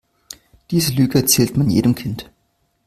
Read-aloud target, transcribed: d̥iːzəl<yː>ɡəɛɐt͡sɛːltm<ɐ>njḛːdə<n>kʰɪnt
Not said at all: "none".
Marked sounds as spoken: yː, a, m

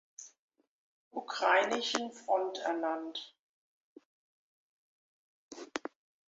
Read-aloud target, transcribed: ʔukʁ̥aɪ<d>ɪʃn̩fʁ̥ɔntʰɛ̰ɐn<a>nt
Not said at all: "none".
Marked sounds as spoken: n, a

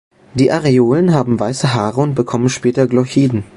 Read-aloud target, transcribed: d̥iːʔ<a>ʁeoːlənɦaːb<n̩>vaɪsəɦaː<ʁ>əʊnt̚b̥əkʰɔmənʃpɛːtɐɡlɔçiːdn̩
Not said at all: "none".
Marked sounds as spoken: a, m̩, ʁ

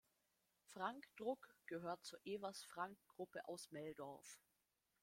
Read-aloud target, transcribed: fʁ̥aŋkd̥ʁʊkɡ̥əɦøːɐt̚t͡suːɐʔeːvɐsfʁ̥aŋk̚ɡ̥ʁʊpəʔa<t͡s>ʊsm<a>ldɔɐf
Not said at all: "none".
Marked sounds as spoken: none, ɛ

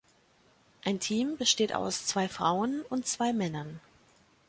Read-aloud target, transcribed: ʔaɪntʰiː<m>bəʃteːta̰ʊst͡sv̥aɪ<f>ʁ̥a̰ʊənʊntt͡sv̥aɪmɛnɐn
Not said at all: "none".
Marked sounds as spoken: m, f

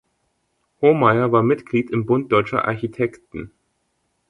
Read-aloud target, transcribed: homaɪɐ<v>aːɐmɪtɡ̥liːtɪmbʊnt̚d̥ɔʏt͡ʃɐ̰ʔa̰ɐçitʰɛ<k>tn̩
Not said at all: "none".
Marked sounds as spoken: v, k

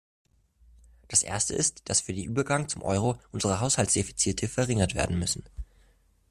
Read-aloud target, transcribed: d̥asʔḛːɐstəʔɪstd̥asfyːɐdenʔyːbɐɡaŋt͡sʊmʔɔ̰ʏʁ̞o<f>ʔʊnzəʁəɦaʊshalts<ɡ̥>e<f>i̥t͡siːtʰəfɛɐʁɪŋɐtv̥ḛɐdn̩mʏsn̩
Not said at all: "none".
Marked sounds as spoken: none, d̥, f

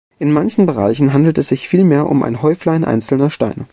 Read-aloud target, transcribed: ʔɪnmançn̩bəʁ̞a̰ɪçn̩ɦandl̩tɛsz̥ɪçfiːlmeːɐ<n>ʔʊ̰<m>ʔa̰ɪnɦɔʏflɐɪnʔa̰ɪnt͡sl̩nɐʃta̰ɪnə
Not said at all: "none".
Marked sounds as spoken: none, m

